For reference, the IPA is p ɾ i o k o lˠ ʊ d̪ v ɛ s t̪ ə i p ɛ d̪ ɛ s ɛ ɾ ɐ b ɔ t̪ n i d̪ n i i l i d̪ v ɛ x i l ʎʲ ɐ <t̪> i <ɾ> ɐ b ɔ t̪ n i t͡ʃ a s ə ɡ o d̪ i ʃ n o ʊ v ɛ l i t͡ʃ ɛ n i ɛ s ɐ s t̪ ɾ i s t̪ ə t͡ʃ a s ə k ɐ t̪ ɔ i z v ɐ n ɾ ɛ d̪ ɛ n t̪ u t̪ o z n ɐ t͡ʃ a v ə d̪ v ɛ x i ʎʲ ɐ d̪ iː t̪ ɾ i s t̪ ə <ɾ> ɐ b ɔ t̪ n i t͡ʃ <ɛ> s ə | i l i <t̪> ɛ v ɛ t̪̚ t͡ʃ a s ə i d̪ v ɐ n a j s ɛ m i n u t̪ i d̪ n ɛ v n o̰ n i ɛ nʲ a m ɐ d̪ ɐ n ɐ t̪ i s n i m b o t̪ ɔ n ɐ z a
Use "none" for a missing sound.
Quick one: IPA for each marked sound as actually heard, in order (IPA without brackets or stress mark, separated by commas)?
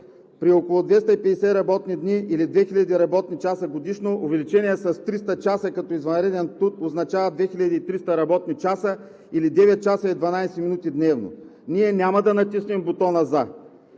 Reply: d̪, ɾ, ɾ, a, d̪